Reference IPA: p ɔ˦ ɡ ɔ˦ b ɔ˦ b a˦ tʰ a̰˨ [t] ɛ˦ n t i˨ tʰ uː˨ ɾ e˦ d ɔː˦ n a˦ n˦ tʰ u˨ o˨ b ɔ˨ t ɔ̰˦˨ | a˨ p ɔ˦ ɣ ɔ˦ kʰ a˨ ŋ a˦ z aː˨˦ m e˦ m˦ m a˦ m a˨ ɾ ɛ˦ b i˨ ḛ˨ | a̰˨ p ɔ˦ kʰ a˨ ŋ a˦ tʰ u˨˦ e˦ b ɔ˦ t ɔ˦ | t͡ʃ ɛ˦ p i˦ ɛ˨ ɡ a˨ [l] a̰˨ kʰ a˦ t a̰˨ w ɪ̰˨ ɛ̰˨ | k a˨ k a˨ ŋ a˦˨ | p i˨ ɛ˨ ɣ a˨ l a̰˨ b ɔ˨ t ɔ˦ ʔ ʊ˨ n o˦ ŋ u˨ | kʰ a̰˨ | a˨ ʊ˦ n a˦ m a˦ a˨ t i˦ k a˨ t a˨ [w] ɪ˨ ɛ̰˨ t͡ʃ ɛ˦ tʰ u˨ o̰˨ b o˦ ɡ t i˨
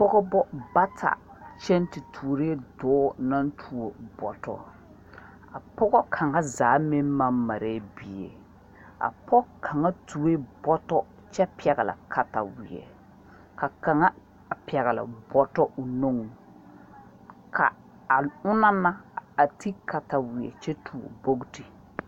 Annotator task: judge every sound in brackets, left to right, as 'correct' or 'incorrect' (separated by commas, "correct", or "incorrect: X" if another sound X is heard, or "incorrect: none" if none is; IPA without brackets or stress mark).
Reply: incorrect: t͡ʃ, correct, correct